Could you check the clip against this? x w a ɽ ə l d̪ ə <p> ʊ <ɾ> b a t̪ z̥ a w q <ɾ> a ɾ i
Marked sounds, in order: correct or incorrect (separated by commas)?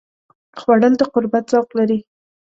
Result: incorrect, correct, incorrect